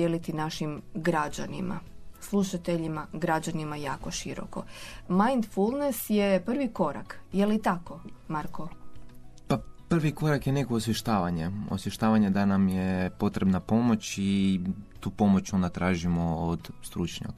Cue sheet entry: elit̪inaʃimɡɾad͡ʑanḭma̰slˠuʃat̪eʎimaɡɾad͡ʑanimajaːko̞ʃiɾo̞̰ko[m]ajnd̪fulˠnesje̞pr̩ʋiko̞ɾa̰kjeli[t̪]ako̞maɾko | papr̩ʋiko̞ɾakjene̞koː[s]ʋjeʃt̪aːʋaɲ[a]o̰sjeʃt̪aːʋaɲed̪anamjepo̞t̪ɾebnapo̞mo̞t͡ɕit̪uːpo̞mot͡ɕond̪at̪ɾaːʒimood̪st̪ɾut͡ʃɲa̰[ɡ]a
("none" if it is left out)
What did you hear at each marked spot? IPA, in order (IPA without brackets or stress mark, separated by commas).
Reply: m, t̪, s, e, k